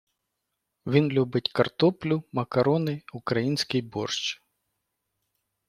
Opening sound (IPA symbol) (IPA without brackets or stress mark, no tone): ʋʲ